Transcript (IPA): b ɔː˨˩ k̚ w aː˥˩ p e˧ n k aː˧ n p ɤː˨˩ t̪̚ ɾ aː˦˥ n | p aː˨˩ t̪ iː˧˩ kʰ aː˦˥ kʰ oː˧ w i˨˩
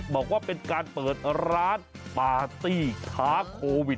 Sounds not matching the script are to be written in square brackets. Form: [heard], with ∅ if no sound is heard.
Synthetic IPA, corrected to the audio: b ɔː˨˩ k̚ w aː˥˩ p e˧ n k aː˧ n p ɤː˨˩ t̪̚ ɾ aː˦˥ n | p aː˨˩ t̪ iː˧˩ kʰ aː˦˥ kʰ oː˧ w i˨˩